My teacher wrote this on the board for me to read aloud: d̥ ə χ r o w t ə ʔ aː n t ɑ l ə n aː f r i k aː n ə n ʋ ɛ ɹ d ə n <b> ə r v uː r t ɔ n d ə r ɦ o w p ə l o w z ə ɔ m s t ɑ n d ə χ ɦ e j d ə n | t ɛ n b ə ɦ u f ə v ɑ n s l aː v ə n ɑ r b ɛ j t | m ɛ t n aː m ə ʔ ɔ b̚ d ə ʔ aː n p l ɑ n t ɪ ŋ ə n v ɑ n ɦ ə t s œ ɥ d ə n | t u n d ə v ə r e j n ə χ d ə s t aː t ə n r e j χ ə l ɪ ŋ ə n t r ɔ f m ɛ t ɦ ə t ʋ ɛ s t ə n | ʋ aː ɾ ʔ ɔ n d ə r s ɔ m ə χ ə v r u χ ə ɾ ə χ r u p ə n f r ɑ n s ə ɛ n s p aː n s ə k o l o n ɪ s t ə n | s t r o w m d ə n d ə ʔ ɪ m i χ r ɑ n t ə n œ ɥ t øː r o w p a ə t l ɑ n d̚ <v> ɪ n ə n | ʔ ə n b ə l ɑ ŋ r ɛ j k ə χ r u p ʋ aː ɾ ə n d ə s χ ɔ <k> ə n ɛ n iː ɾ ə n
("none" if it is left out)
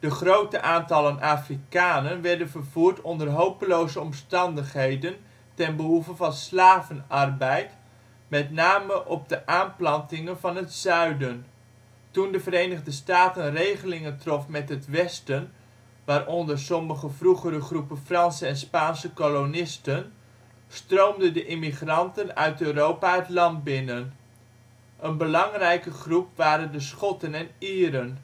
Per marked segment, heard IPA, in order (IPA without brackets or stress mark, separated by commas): v, b, t